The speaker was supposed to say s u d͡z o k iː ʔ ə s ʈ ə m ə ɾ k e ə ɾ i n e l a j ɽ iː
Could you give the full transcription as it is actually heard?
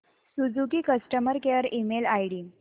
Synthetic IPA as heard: s u d͡z u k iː k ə s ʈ ə m ə ɾ k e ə ɾ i m e l a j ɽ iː